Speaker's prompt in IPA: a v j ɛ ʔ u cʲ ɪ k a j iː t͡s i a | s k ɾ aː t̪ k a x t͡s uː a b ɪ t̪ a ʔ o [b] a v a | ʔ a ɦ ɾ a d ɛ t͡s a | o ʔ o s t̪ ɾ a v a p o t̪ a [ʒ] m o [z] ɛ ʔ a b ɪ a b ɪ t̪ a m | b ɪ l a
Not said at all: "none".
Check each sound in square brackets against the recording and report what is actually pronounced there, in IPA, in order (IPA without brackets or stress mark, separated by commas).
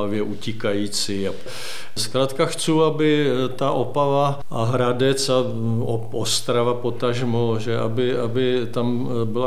p, ʒ, ʒ